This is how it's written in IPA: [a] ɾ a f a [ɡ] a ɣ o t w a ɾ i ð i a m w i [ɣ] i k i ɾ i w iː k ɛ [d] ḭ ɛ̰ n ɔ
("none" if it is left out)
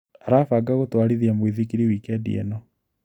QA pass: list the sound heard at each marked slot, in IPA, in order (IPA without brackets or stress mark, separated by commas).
a, ɡ, ð, d